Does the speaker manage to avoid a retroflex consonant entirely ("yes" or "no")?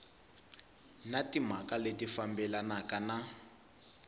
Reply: yes